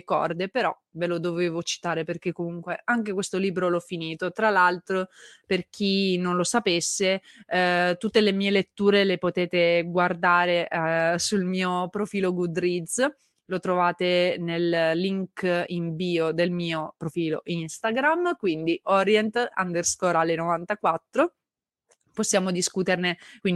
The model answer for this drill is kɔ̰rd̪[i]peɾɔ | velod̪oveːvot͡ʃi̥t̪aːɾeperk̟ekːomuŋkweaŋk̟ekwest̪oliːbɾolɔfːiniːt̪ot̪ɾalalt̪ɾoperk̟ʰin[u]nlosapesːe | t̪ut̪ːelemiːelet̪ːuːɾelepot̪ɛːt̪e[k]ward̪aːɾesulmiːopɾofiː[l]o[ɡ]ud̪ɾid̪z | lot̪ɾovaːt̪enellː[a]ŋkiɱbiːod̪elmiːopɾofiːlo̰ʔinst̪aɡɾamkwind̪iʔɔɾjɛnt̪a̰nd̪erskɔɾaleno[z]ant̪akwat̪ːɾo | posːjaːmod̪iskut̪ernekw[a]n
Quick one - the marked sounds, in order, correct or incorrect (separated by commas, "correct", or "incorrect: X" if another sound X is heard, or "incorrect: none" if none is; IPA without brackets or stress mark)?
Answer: incorrect: e, incorrect: o, incorrect: ɡ, correct, correct, incorrect: i, incorrect: v, incorrect: i